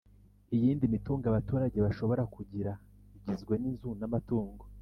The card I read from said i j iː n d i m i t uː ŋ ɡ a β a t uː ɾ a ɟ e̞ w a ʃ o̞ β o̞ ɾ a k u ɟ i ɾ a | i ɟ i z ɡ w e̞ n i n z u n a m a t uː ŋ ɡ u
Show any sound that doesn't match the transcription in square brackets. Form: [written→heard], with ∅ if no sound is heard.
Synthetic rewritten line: i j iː n d i m i t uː ŋ ɡ a β a t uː ɾ a ɟ e̞ [w→β] a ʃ o̞ β o̞ ɾ a k u ɟ i ɾ a | i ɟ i z ɡ w e̞ n i n z u n a m a t uː ŋ ɡ [u→o]